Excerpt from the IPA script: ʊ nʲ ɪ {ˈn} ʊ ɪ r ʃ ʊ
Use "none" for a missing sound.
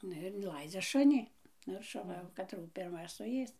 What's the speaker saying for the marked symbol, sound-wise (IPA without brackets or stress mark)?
n